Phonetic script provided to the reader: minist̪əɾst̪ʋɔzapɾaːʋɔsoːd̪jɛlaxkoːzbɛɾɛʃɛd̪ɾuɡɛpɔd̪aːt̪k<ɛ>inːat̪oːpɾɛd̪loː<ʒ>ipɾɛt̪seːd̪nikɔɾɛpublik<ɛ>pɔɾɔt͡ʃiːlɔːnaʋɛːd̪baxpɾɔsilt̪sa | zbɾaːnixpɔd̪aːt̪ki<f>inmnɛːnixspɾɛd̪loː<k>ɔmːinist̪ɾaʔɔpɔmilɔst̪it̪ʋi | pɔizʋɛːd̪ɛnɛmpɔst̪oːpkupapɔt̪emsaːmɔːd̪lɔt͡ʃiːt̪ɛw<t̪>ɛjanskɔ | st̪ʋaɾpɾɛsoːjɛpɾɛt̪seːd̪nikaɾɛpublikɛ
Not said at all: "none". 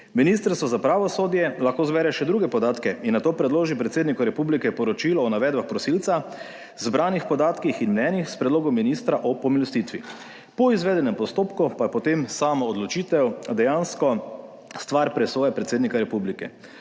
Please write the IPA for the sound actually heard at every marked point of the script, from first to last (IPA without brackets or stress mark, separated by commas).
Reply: ɛ, ʒ, ɛ, x, ɡ, d̪